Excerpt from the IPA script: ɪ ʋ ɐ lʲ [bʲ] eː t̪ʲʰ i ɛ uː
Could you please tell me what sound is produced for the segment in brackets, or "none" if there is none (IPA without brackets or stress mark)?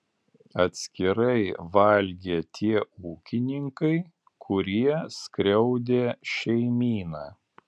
ɡʲ